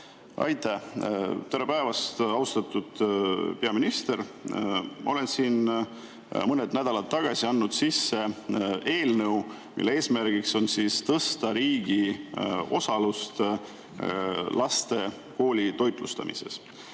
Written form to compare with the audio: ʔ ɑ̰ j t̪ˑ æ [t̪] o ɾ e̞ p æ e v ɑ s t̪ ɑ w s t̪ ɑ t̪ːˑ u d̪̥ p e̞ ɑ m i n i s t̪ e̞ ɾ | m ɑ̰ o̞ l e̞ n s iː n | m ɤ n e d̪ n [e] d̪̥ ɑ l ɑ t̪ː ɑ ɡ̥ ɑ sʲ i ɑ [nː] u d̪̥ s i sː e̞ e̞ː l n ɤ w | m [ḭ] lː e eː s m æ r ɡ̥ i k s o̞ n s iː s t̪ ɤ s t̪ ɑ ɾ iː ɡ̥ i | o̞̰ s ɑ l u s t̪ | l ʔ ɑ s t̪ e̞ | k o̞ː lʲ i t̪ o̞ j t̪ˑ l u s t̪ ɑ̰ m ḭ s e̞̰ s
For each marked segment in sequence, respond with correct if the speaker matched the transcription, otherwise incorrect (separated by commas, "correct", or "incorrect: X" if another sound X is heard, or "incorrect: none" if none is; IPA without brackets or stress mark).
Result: correct, incorrect: æ, correct, correct